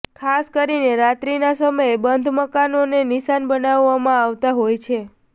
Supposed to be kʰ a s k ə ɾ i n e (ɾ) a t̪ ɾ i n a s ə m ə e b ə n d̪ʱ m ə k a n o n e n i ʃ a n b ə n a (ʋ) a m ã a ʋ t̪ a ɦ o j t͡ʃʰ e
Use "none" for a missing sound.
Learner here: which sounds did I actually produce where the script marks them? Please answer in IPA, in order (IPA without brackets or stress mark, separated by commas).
ɾ, ʋː